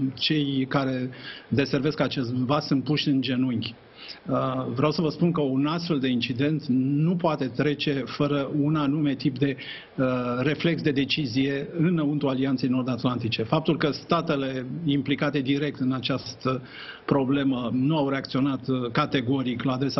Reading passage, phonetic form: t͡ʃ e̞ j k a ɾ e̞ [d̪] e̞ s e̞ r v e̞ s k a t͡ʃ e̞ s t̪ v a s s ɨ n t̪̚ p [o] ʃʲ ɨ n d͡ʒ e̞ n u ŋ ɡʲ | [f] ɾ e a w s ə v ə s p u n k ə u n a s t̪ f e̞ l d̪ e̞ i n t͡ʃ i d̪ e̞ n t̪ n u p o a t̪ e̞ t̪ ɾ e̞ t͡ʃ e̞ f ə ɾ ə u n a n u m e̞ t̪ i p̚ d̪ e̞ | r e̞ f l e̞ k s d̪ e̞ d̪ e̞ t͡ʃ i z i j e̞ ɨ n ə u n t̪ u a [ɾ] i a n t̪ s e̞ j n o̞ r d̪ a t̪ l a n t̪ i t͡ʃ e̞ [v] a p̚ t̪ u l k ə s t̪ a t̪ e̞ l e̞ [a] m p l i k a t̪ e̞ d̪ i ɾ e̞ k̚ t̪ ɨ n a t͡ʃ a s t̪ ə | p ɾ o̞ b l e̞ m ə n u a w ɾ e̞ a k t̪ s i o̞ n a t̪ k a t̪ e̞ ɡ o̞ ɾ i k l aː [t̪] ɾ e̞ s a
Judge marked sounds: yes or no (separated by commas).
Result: yes, no, no, no, no, no, no